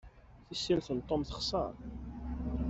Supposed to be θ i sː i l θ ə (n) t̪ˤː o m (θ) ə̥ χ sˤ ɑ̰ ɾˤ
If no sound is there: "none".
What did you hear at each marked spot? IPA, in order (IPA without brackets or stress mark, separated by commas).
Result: n, θ